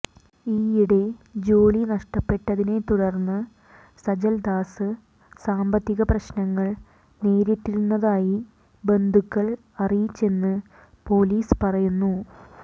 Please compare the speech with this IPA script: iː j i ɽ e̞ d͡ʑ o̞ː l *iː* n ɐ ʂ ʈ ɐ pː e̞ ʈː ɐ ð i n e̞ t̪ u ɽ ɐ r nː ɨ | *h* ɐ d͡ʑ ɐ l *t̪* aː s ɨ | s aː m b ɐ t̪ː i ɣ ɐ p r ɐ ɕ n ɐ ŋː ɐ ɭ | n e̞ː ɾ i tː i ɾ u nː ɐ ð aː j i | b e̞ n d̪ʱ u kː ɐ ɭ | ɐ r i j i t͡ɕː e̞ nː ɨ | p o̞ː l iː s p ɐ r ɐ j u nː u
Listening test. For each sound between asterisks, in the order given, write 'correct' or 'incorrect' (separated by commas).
incorrect, incorrect, incorrect